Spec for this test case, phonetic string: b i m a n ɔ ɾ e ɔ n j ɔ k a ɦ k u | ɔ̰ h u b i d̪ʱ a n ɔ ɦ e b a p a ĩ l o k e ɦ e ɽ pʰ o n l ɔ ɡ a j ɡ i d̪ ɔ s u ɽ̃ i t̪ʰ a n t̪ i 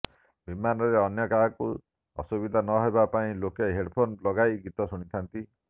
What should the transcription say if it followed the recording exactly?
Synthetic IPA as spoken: b i m a n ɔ ɾ e ɔ n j ɔ k a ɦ k u | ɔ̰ s u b i d̪ʱ a n ɔ ɦ e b a p a ĩ l o k e ɦ e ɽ pʰ o n l ɔ ɡ a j ɡ i t̪ ɔ s u ɽ̃ i t̪ʰ a n t̪ i